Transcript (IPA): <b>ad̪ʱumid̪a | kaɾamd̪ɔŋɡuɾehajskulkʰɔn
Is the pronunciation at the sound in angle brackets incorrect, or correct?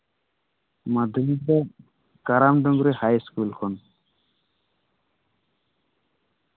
incorrect: m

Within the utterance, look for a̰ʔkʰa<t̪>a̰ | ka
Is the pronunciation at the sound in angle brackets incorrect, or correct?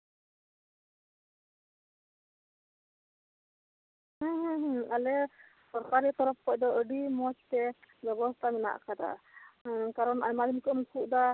incorrect: d̪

